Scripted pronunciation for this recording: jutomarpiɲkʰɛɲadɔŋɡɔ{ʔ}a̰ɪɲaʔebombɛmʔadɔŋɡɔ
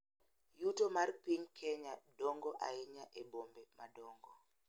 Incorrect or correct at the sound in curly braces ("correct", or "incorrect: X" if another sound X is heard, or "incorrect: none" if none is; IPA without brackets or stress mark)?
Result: correct